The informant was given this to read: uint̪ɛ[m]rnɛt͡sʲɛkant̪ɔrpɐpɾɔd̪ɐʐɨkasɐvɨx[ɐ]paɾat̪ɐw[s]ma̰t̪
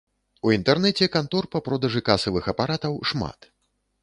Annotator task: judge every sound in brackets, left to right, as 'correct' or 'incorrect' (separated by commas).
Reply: incorrect, correct, incorrect